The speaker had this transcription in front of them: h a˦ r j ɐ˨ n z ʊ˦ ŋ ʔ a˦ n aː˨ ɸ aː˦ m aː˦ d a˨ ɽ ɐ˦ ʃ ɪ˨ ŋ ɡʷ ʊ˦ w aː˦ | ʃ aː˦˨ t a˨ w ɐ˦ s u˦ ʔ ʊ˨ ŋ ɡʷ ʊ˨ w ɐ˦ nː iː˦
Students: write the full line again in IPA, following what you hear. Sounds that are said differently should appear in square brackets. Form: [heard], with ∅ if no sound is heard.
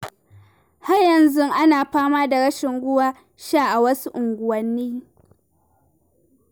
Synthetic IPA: h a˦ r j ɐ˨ n z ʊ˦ ŋ ʔ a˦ n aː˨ ɸ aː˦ m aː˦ d a˨ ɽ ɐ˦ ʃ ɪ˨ ŋ ɡʷ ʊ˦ w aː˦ | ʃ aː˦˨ [ʔ] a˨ w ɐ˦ s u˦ ʔ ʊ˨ ŋ ɡʷ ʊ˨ w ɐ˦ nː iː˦